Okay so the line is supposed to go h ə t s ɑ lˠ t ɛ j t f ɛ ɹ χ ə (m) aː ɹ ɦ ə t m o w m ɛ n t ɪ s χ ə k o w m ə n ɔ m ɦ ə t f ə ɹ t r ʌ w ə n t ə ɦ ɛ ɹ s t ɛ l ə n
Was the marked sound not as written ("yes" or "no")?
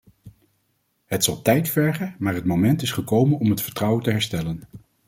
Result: no